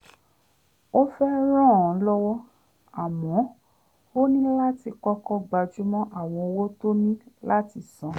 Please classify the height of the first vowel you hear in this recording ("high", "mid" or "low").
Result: mid